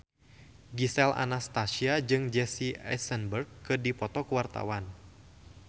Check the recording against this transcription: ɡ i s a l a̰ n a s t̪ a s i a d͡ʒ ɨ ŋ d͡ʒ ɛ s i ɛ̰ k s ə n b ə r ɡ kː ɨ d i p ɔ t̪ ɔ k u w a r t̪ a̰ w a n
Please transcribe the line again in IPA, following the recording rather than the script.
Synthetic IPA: ɡ i s ɛ l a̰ n a s t̪ a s i a d͡ʒ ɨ ŋ d͡ʒ ɛ s i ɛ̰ s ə n b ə r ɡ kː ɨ d i p ɔ t̪ ɔ k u w a r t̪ a̰ w a n